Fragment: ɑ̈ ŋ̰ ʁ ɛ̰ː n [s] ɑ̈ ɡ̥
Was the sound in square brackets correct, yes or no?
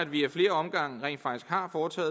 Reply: no